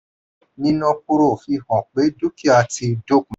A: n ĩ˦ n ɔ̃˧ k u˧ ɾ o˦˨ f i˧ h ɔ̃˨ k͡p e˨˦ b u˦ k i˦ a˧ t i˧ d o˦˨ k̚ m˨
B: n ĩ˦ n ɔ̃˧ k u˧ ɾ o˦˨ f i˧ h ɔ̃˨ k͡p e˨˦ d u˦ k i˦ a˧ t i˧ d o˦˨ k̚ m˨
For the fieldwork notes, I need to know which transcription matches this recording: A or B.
B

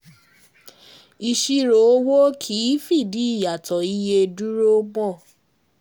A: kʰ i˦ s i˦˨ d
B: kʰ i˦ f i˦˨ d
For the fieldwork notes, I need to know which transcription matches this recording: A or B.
B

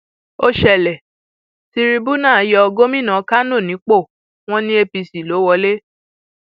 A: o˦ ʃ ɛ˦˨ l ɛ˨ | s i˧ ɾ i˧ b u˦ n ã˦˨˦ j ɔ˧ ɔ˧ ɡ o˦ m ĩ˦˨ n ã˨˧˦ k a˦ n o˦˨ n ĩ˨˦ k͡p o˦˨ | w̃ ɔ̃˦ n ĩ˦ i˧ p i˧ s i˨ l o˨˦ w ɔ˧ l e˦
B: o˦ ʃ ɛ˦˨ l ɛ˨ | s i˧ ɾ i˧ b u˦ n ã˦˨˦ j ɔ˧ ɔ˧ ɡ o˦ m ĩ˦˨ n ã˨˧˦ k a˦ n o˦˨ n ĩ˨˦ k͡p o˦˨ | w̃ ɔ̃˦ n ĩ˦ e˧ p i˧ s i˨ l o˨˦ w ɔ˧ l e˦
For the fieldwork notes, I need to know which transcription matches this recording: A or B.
B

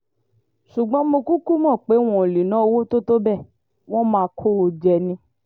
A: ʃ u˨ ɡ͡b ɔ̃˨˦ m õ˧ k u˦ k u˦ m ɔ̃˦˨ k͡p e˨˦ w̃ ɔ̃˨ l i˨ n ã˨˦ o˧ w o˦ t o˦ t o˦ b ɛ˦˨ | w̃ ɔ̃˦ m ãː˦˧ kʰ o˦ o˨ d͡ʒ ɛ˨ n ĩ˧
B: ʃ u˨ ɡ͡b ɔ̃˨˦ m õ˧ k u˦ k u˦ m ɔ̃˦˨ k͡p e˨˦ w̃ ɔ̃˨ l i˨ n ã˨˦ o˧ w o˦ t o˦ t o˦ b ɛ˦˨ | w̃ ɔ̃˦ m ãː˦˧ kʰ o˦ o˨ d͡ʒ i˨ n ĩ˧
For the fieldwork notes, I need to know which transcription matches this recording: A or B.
A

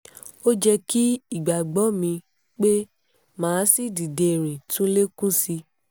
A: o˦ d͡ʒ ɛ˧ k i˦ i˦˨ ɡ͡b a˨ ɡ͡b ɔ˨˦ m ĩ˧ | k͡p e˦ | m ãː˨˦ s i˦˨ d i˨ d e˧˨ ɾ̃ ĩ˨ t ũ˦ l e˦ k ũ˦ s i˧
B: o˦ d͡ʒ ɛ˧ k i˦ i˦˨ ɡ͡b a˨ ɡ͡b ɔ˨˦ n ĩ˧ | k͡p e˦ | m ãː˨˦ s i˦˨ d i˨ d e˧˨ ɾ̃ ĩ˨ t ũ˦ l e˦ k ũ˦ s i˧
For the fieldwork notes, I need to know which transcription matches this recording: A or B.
A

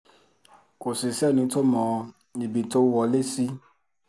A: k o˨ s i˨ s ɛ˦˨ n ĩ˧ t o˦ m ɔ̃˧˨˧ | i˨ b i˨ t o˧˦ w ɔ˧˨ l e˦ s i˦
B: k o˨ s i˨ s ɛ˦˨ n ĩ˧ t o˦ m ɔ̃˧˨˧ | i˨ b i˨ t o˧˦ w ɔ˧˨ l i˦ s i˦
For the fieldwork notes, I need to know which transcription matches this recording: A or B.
A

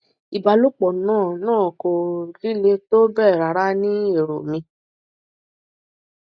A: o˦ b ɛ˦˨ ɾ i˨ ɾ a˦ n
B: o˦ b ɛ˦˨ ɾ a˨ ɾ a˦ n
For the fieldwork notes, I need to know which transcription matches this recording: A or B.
B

